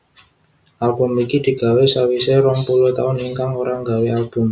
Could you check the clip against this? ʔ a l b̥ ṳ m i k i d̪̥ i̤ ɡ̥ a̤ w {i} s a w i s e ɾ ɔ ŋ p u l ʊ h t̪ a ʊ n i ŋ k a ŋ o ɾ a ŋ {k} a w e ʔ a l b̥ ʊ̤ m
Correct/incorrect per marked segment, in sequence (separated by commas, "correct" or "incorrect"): incorrect, incorrect